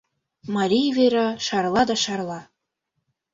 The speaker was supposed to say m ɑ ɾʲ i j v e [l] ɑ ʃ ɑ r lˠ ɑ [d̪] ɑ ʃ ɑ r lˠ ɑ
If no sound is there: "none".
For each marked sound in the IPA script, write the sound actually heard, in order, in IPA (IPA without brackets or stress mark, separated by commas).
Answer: ɾ, d̪